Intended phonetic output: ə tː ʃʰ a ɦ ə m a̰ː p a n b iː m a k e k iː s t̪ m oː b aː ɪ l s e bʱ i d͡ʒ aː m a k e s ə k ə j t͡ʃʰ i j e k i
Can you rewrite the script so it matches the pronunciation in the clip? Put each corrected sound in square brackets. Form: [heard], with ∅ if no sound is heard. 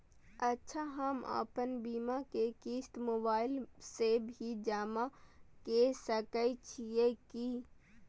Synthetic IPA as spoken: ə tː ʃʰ a ɦ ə m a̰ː p [ə] n b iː m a k e k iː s t̪ m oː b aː ɪ l s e bʱ i d͡ʒ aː m a k e s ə k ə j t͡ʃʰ i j e k i